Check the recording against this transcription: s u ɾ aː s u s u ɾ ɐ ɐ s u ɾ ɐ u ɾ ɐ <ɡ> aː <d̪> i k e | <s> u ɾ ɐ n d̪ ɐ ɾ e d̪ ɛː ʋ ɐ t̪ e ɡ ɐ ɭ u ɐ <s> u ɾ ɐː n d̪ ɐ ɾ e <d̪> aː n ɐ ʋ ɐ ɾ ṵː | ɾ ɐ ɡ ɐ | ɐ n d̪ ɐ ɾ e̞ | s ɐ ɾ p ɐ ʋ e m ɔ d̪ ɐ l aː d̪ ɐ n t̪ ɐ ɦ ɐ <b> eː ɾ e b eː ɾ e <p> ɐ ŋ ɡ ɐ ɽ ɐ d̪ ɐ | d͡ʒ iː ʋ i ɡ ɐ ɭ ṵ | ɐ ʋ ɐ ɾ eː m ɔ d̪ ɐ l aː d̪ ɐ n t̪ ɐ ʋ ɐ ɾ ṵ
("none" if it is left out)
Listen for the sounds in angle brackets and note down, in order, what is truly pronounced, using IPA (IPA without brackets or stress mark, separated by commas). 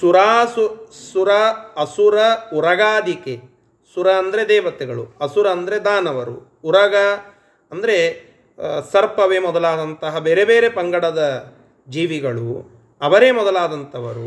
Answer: ɡ, d̪, s, s, d̪, b, p